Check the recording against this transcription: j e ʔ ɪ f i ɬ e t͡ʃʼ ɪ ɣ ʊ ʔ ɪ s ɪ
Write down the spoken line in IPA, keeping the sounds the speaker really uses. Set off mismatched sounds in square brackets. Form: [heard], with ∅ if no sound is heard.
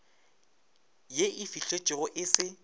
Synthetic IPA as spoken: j e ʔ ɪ f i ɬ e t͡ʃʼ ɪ ɣ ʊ ʔ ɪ s ɪ

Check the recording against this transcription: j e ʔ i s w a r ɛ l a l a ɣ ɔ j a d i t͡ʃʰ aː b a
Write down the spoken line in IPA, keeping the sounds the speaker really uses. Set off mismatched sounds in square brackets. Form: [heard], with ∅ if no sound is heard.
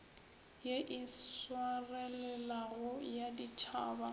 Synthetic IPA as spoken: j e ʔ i s w a r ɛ l [ɛ] l a ɣ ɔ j a d i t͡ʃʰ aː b a

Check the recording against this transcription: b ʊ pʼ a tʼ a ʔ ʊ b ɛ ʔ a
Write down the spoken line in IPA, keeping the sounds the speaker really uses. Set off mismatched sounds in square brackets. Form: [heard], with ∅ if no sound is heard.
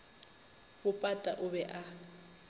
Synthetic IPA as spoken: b ʊ pʼ a tʼ a ʔ ʊ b ɛ ʔ a

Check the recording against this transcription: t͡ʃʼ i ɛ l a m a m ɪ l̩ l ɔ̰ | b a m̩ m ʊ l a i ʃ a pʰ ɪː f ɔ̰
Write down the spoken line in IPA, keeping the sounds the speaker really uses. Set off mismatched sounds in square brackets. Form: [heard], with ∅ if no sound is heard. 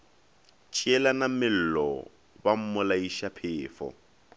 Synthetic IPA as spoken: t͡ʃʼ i ɛ l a [n] a m ɪ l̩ l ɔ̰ | b a m̩ m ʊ l a i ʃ a pʰ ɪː f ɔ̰

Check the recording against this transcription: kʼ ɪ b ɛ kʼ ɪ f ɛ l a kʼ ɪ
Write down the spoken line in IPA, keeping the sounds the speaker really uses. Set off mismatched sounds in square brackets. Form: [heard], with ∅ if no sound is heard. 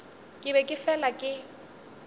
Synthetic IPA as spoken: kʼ ɪ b ɛ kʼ ɪ f ɛ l a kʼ ɪ

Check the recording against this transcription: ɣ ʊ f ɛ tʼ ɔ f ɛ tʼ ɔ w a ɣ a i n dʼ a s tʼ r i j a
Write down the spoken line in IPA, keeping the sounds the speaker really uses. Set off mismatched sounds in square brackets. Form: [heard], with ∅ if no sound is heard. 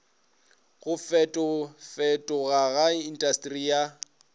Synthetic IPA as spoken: ɣ ʊ f ɛ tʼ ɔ f ɛ tʼ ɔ [ɣ] a ɣ a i n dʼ a s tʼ r i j a

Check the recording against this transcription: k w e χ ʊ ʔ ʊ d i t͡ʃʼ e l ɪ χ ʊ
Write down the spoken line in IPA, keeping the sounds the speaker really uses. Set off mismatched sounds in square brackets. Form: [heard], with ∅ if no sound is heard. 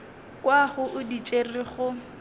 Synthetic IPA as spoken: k w [a] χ ʊ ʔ ʊ d i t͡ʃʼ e [r] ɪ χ ʊ

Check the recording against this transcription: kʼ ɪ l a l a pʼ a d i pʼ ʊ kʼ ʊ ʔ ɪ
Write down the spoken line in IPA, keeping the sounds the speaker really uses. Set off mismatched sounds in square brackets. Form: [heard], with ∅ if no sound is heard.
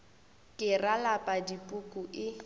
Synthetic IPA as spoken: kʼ ɪ [r] a l a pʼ a d i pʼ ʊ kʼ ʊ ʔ ɪ

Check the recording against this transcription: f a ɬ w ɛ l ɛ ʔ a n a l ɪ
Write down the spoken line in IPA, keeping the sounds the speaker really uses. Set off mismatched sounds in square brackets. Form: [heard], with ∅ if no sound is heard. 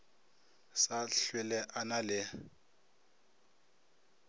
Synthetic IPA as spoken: [s] a ɬ w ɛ l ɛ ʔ a n a l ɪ

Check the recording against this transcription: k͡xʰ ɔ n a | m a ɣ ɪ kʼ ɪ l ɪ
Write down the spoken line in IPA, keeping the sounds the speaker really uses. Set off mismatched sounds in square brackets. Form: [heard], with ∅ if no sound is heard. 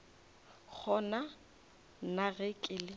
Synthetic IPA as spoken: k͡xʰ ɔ n a | [n] a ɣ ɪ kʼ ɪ l ɪ

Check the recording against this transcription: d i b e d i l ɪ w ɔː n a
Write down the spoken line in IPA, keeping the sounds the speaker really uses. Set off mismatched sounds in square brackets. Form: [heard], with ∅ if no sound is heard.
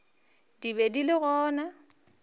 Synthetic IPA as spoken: d i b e d i l ɪ [ɣ] ɔː n a

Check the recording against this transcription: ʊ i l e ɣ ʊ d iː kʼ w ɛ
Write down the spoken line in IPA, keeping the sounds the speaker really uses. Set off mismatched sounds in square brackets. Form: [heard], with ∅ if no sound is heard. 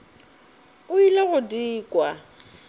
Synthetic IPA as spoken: ʊ i l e ɣ ʊ d iː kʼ w [a]

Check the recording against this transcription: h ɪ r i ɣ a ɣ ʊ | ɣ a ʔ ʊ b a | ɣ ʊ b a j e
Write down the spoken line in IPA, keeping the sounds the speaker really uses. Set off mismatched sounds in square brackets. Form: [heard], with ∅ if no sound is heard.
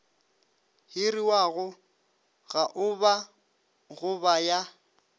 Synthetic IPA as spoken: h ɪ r i [w] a ɣ ʊ | ɣ a ʔ ʊ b a | ɣ ʊ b a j [a]

